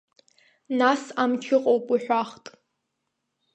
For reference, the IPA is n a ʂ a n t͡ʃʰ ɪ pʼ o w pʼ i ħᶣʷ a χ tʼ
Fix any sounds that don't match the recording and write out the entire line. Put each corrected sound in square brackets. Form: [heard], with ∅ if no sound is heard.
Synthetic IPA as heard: n a [s] a [m] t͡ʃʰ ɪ [qʼ] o w pʼ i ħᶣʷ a χ tʼ